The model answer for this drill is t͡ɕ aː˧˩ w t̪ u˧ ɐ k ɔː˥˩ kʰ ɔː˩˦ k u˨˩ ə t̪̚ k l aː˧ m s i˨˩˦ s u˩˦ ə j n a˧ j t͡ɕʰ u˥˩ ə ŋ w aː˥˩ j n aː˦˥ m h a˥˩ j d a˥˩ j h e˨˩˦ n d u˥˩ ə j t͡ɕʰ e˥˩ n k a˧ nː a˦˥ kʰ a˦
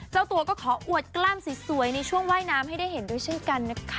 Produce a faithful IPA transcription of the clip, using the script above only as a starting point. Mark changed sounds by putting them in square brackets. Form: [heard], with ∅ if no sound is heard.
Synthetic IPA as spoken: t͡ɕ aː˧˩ w t̪ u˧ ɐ k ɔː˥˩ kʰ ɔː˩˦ [ʔ] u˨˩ ə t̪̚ k l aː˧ m s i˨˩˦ s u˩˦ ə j n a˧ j t͡ɕʰ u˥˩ ə ŋ w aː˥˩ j n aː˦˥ m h a˥˩ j d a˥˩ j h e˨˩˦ n d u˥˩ ə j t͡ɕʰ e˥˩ n k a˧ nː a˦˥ kʰ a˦